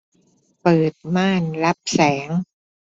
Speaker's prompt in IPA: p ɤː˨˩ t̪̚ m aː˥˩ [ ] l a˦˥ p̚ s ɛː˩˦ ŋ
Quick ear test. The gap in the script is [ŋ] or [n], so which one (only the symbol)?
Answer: n